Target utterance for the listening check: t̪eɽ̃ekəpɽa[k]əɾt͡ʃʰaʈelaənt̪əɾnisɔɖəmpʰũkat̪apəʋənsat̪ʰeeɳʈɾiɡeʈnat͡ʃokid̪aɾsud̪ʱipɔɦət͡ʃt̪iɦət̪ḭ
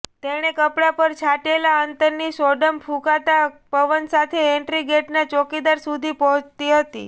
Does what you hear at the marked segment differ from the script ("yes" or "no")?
yes